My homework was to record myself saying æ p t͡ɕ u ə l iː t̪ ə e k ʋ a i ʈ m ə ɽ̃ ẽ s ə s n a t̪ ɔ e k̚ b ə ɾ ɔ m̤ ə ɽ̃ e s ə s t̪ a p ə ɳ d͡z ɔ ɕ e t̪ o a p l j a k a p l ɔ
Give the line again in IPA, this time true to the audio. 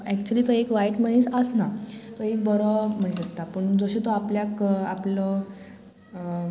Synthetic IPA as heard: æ k t͡ɕ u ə l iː t̪ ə e k ʋ a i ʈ m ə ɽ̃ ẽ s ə s n a t̪ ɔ e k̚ b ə ɾ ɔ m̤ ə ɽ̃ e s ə s t̪ a p ə ɳ d͡z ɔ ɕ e t̪ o a p l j a k a p l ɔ